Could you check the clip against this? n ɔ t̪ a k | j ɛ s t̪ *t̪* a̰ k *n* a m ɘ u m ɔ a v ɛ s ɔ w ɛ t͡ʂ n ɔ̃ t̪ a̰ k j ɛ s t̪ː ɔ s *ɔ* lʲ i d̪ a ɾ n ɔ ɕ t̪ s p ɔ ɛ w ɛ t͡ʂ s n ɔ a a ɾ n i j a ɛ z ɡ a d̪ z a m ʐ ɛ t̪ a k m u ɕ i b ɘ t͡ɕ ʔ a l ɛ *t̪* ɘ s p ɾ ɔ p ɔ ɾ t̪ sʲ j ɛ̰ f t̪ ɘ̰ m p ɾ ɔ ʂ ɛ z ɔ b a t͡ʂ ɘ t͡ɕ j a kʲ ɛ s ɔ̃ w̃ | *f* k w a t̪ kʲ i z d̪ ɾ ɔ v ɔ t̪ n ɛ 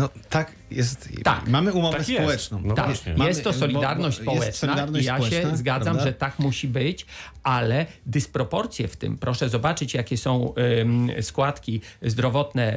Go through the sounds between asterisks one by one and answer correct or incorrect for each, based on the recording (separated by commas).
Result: correct, incorrect, correct, incorrect, incorrect